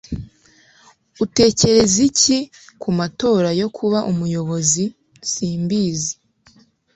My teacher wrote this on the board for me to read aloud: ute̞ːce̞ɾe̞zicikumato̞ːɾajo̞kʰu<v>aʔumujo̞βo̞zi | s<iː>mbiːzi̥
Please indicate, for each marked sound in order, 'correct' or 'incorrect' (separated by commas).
incorrect, correct